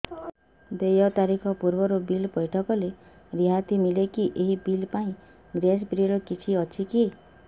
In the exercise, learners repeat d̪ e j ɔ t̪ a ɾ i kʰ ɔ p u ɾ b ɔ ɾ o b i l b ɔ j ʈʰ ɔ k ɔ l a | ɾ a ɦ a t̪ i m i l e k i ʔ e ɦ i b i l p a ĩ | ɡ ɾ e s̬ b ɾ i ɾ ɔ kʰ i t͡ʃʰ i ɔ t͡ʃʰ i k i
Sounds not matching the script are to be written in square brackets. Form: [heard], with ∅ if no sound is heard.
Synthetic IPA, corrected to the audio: d̪ e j ɔ t̪ a ɾ i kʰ ɔ p u ɾ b ɔ ɾ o b i l b ɔ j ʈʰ ɔ k ɔ l [e] | ɾ [i] ɦ a t̪ i m i l e k i ʔ e ɦ i b i l p a ĩ | ɡ ɾ e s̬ b ɾ i ɾ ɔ [k] i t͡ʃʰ i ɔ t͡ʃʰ i k i

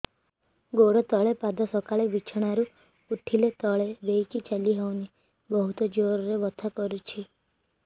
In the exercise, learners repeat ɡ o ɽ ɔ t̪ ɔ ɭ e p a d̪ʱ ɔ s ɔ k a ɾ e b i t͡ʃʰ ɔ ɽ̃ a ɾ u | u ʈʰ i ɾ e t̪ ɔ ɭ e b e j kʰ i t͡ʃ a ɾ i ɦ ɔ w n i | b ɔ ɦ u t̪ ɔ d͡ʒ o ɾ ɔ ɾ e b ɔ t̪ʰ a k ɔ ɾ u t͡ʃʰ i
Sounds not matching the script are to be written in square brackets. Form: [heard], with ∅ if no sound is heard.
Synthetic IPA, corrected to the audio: ɡ o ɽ ɔ t̪ ɔ ɭ e p a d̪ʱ ɔ s ɔ k a [ɭ] e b i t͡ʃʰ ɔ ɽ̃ a ɾ u | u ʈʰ i [l] e t̪ ɔ ɭ e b e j [k] i t͡ʃ a [l] i ɦ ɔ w n i | b ɔ ɦ u t̪ ɔ d͡ʒ o ɾ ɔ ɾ e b ɔ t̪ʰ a k ɔ ɾ u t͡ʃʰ i

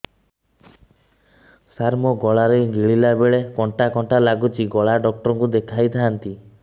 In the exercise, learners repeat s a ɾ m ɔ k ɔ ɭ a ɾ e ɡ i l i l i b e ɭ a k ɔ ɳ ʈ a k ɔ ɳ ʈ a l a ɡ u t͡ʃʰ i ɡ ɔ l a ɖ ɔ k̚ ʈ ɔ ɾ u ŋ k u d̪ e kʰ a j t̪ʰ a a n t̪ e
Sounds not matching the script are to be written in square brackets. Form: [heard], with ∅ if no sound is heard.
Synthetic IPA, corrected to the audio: s a ɾ m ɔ [ɡ] ɔ ɭ a ɾ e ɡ i [ɭ] i l [a] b e ɭ [e] k ɔ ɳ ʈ a k ɔ ɳ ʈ a l a ɡ u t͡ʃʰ i ɡ ɔ [ɭ] a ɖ ɔ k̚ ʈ ɔ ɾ [ɔ] ŋ k u d̪ e kʰ a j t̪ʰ a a n t̪ [i]

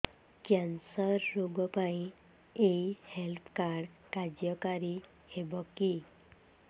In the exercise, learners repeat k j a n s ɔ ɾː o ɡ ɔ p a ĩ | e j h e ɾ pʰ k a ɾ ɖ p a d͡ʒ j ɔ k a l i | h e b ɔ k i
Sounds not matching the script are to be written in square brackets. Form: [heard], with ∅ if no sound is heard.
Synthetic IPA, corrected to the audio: k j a n s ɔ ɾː o ɡ ɔ p a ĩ | e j h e [l] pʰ k a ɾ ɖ [k] a d͡ʒ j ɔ k a [ɾ] i | h e b ɔ k i

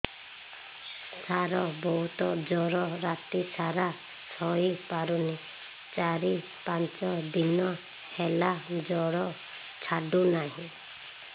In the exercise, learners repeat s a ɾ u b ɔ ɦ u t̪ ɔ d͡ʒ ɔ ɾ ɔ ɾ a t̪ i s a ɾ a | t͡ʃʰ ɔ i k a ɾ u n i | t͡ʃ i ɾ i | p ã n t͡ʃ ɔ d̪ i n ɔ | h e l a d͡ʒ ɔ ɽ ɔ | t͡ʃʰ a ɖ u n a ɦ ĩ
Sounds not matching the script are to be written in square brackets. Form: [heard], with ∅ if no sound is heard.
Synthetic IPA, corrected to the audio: s a ɾ [ɔ] b ɔ ɦ u t̪ ɔ d͡ʒ ɔ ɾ ɔ ɾ a t̪ i s a ɾ a | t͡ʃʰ ɔ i [p] a ɾ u n i | t͡ʃ [a] ɾ i | p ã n t͡ʃ ɔ d̪ i n ɔ | h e l a d͡ʒ ɔ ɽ ɔ | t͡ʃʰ a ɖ u n a ɦ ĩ

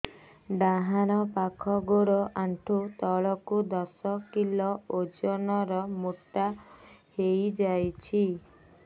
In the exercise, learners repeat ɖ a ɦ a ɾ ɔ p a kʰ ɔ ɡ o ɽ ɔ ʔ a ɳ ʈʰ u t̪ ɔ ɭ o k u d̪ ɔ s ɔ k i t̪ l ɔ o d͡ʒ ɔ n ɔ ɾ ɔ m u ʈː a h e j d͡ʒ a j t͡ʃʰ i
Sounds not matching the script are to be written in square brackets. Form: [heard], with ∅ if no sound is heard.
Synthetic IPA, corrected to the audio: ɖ a ɦ a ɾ ɔ p a kʰ ɔ ɡ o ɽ ɔ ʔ a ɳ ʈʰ u t̪ ɔ ɭ [ɔ] k u d̪ ɔ s ɔ k i [∅] l ɔ o d͡ʒ ɔ n ɔ ɾ ɔ m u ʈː a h e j d͡ʒ a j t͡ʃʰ i

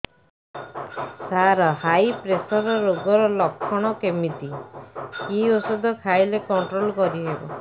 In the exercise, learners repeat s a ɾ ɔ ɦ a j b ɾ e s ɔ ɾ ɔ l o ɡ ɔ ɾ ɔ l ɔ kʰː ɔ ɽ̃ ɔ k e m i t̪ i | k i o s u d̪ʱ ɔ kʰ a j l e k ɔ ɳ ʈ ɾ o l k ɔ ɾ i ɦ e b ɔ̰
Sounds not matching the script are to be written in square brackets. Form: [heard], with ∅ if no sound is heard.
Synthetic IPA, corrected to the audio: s a ɾ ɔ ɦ a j [p] ɾ e s ɔ ɾ ɔ [ɾ] o ɡ ɔ ɾ ɔ l ɔ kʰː ɔ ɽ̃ ɔ k e m i t̪ i | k i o s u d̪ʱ ɔ kʰ a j l e k ɔ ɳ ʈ ɾ o l k ɔ ɾ i ɦ e b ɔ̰

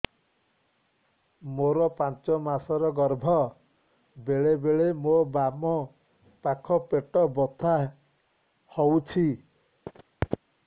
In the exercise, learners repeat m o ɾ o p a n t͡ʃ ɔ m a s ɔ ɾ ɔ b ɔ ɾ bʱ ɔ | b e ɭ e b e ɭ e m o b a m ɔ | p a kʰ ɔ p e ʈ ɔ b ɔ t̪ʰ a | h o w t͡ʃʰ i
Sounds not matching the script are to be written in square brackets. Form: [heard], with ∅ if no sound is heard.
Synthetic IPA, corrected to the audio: m o ɾ [ɔ] p a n t͡ʃ ɔ m a s ɔ ɾ ɔ [ɡ] ɔ ɾ bʱ ɔ | b e ɭ e b e ɭ e m o b a m ɔ | p a kʰ ɔ p e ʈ ɔ b ɔ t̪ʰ a | h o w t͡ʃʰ i

